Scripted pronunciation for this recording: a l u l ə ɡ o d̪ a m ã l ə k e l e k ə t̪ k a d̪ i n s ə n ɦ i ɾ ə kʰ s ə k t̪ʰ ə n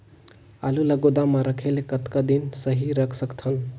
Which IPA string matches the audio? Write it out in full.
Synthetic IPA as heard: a l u l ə ɡ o d̪ a m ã ɾ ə kʰ e l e k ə t̪ k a d̪ i n s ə ɦ i ɾ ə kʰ s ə k t̪ʰ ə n